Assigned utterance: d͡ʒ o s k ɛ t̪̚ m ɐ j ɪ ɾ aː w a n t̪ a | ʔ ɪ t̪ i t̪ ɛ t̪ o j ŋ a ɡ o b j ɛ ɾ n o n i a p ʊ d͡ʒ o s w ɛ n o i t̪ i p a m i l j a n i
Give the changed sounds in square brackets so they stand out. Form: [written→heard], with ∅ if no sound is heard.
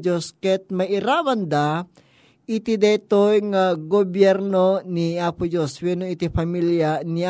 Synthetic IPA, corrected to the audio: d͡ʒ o s k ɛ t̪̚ m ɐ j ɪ ɾ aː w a n [t̪→d̪] a | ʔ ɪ t̪ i [t̪→d̪] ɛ t̪ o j ŋ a ɡ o b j ɛ ɾ n o n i a p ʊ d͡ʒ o s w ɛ n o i t̪ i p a m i l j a n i